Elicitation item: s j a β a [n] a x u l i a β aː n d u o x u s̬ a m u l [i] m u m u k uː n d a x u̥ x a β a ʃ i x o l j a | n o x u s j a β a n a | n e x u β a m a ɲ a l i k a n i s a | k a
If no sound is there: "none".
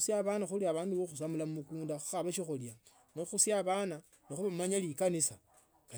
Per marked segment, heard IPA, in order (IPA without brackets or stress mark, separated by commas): n, a